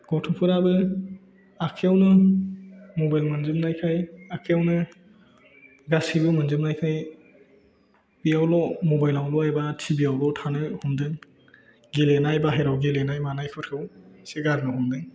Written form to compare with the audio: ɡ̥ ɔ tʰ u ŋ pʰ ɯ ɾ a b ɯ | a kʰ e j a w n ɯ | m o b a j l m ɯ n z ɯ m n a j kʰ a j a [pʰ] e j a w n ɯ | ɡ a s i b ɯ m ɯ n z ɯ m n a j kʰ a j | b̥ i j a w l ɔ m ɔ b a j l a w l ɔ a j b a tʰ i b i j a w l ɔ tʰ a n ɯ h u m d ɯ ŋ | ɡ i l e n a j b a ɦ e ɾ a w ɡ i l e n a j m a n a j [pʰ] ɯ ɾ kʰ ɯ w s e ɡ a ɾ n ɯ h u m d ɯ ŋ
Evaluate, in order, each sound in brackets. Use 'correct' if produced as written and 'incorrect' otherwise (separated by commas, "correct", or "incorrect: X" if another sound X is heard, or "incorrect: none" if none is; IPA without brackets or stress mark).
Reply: incorrect: kʰ, incorrect: kʰ